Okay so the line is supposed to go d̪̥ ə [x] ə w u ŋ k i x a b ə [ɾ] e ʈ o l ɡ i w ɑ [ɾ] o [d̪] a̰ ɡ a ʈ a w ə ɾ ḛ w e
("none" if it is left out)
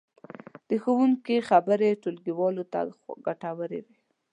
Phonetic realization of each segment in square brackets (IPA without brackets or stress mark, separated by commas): x, ɾ, l, t̪